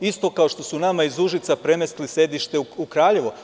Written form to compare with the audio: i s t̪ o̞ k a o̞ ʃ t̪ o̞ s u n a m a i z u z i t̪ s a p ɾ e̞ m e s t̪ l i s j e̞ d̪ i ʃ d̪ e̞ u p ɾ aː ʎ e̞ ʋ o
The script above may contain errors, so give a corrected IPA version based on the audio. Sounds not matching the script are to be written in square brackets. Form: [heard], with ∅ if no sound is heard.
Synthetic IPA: i s t̪ o̞ k a o̞ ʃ t̪ o̞ s u n a m a i z u [ʒ] i t̪ s a p ɾ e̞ m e s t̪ l i s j e̞ d̪ i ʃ [t̪] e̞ u [k] ɾ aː ʎ e̞ ʋ o

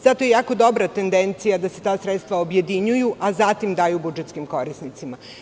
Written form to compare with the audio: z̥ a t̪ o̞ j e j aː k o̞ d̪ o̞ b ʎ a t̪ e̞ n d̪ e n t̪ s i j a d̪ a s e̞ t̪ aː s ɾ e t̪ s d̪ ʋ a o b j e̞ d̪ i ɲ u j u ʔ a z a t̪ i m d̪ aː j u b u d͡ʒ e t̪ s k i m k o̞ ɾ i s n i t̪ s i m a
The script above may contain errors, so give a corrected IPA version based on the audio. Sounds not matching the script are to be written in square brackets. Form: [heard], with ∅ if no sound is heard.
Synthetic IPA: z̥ a t̪ o̞ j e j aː k o̞ d̪ o̞ b [ɾ] a t̪ e̞ n d̪ e n t̪ s i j a d̪ a s e̞ t̪ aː s ɾ e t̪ s [t̪] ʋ a o b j e̞ d̪ i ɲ u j u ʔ a z a t̪ i m d̪ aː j u b u d͡ʒ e t̪ s k i m k o̞ ɾ i s n i t̪ s i m a

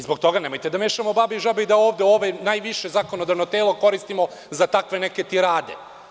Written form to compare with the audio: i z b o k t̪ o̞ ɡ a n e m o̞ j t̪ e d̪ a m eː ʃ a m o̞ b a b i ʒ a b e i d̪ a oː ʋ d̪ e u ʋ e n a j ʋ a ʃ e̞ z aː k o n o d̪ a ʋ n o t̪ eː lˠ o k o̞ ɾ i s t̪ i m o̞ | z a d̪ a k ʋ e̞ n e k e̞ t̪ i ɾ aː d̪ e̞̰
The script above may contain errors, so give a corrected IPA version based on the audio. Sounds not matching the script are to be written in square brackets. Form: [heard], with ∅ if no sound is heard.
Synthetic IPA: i z b o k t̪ o̞ ɡ a n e m o̞ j t̪ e d̪ a m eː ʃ a m o̞ b a b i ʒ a b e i d̪ a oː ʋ d̪ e [o] ʋ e n a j ʋ [i] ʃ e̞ z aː k o n o d̪ a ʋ n o t̪ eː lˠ o k o̞ ɾ i s t̪ i m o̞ | z a [t̪] a k ʋ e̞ n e k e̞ t̪ i ɾ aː d̪ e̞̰

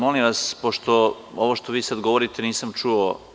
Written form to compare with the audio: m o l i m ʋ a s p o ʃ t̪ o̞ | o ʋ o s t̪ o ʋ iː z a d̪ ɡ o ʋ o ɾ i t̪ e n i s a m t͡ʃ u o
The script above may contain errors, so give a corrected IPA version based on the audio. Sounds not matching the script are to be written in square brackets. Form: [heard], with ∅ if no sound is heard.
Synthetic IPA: m o l i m ʋ a s p o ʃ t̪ o̞ | o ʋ o [ʃ] t̪ o ʋ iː [s] a d̪ ɡ o ʋ o ɾ i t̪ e n [iː] s a m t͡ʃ u o

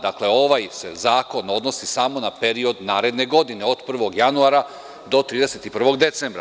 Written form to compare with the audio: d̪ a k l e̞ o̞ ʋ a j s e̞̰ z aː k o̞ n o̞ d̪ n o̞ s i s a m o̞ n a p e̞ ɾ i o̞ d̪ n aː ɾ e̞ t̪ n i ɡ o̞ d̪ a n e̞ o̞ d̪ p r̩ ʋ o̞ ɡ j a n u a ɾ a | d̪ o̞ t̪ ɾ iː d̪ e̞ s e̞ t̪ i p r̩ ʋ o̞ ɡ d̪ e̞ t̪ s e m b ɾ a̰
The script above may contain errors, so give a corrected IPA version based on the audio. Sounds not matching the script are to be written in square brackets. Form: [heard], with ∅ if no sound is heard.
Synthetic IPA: d̪ a k l e̞ o̞ ʋ a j s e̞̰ z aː k o̞ n o̞ d̪ n o̞ s i s a m o̞ n a p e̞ ɾ i o̞ d̪ n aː ɾ e̞ [d̪] n [e] ɡ o̞ d̪ [i] n e̞ o̞ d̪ p r̩ ʋ o̞ ɡ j a n u a ɾ a | d̪ o̞ t̪ ɾ iː d̪ e̞ s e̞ t̪ i p r̩ ʋ o̞ ɡ d̪ e̞ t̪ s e m b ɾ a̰

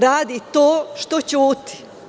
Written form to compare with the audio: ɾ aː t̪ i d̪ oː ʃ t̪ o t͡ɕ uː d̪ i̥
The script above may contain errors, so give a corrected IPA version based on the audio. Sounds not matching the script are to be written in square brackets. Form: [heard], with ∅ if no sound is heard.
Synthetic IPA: ɾ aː [d̪] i [t̪] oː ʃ t̪ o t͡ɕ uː [t̪] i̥

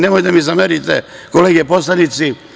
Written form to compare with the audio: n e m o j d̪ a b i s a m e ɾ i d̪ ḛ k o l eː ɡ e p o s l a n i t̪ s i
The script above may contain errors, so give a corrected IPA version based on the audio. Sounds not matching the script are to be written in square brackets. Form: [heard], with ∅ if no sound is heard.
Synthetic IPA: n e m o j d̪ a [m] i [z] a m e ɾ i [t̪] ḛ k o l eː ɡ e p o s l a n i t̪ s i

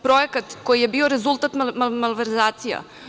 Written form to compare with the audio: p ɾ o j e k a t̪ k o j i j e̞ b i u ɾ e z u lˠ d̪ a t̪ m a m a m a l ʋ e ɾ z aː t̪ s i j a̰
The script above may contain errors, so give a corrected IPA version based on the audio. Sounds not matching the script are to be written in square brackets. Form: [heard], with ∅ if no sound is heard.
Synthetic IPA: p ɾ o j e k a t̪ k o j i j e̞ b i [o] ɾ e z u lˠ [t̪] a t̪ m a m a m a l ʋ e ɾ z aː t̪ s i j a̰

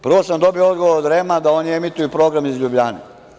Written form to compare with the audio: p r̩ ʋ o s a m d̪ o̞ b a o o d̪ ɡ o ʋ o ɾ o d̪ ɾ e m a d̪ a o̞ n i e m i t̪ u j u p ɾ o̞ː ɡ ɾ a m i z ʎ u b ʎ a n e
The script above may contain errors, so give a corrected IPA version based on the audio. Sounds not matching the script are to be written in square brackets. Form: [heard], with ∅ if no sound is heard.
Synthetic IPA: p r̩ ʋ o s a m d̪ o̞ b [i] o o d̪ ɡ o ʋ o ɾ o d̪ ɾ e m a d̪ a o̞ n i e m i t̪ u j u p ɾ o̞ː ɡ ɾ a m i z ʎ u b ʎ a n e

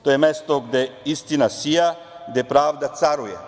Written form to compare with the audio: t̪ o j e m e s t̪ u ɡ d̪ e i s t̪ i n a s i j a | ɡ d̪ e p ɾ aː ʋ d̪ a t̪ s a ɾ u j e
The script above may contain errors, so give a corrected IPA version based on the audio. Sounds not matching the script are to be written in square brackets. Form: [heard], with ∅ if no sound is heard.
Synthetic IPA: t̪ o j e m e s t̪ [o] ɡ d̪ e i s t̪ i n a s i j a | ɡ d̪ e p ɾ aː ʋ d̪ a t̪ s a ɾ u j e

